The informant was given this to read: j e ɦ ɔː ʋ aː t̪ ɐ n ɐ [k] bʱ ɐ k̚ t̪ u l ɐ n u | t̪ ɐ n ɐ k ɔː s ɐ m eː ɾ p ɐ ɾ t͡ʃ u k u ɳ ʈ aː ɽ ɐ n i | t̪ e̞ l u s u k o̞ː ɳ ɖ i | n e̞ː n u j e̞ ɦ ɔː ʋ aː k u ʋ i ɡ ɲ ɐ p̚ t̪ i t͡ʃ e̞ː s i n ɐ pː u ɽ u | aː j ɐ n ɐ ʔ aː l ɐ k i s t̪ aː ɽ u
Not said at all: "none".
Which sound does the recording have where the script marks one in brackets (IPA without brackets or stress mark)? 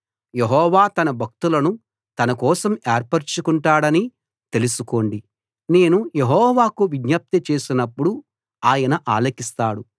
none